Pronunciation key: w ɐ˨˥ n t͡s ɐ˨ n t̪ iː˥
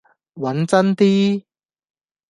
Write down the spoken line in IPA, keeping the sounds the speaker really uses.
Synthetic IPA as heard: w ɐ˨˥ n t͡s ɐ˥ n t̪ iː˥